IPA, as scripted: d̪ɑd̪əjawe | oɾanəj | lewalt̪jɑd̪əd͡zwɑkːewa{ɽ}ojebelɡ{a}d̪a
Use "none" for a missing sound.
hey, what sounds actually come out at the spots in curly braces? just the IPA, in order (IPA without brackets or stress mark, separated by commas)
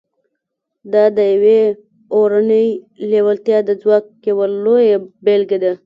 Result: l, e